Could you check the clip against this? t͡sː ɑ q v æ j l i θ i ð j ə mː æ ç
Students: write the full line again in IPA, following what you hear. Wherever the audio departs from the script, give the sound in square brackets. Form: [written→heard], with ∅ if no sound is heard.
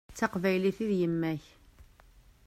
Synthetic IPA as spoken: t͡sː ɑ q v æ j l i θ i ð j ə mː æ ç